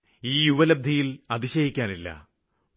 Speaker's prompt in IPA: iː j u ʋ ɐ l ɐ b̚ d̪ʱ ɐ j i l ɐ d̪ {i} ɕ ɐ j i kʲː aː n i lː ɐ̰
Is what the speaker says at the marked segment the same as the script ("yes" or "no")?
yes